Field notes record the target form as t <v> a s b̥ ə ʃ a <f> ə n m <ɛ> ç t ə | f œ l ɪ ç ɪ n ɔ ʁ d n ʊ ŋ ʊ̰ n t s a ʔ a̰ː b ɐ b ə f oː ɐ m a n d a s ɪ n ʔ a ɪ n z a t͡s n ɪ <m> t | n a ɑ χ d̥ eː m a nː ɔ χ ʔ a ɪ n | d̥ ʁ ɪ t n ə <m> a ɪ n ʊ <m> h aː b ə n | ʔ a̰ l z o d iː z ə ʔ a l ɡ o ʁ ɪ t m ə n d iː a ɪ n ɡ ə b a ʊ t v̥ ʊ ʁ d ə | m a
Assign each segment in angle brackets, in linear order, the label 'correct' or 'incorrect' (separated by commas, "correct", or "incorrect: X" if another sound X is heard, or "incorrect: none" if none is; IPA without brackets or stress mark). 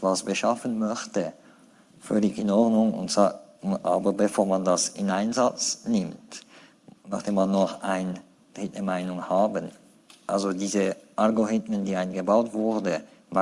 correct, correct, incorrect: œ, correct, correct, incorrect: ŋ